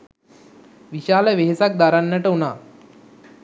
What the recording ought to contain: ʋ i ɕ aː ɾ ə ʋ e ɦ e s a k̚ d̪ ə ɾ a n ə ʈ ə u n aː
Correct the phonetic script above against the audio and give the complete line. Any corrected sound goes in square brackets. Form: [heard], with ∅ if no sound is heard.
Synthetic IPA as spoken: ʋ i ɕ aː [l] ə ʋ e ɦ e s a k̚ d̪ [a] ɾ a [nː] ə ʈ ə u n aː